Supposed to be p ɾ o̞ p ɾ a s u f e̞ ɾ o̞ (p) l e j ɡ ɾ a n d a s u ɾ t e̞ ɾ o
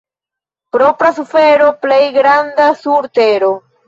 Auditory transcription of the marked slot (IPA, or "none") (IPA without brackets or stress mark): p